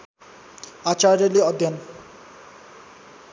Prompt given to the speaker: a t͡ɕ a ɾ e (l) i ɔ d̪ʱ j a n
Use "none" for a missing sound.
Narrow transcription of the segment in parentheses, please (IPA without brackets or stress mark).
l